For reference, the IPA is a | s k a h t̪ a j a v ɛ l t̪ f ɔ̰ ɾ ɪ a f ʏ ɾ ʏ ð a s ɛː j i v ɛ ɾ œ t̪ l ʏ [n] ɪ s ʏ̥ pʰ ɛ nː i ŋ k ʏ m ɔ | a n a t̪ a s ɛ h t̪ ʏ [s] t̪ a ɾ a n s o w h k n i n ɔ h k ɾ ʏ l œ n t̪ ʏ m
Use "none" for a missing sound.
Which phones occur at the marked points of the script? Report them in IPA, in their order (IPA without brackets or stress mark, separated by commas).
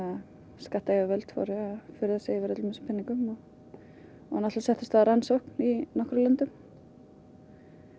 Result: m, s